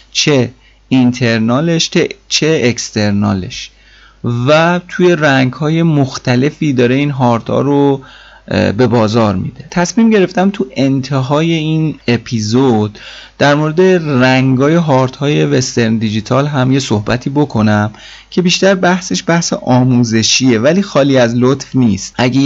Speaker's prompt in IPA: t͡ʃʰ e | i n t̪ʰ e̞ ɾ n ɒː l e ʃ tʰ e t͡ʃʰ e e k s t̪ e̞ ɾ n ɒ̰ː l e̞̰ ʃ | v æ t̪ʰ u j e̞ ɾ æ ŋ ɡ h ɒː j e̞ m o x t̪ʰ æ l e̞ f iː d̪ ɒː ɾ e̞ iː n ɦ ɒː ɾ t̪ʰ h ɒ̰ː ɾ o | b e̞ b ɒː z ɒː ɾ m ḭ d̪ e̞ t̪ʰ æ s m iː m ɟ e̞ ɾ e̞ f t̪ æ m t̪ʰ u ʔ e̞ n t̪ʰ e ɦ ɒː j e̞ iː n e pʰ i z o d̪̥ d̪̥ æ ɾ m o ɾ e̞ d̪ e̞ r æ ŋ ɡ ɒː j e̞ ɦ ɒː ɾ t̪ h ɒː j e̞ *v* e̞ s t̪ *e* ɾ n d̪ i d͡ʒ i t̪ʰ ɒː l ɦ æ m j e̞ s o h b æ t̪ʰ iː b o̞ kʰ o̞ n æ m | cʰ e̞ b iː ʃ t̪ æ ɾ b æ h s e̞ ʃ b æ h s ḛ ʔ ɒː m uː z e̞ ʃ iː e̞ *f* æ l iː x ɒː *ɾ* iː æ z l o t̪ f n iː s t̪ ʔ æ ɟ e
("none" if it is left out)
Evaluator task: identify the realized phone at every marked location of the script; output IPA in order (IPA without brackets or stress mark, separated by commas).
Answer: v, e, v, l